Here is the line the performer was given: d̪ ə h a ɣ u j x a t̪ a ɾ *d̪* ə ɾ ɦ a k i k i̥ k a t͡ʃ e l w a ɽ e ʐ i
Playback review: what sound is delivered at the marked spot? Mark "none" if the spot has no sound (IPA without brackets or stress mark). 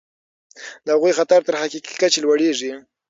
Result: t̪